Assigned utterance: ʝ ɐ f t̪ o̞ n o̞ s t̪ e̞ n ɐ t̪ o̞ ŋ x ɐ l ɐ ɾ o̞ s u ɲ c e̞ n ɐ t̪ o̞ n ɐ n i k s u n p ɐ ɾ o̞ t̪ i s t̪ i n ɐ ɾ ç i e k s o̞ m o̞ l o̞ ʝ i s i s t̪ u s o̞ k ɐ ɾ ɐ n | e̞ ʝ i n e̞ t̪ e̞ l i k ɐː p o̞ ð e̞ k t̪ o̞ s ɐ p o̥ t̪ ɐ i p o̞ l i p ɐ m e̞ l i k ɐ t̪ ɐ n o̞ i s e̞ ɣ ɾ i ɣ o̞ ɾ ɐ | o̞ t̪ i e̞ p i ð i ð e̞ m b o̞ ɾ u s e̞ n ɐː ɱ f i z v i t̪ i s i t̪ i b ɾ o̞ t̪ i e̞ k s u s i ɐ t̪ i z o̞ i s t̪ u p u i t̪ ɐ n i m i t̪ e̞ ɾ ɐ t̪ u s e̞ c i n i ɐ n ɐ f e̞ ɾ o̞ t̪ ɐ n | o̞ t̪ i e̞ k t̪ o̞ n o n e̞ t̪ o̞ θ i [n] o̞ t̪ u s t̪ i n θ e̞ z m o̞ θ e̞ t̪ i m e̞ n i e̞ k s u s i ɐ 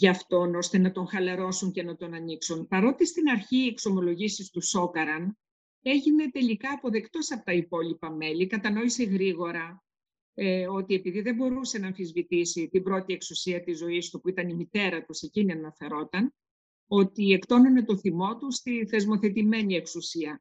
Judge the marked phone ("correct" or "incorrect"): incorrect